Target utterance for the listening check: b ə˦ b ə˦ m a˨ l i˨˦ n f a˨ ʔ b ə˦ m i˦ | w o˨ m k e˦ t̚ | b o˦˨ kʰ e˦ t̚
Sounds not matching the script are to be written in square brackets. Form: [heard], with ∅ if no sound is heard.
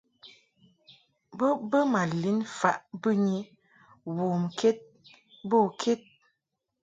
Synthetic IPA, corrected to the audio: b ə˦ b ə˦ m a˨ l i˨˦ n f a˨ ʔ b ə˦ [ɲ] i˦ | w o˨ m k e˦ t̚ | b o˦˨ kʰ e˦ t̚